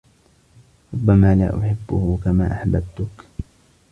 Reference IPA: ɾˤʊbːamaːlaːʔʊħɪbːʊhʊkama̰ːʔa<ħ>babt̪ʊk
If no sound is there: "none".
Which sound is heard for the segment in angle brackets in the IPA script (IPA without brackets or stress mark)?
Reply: ħ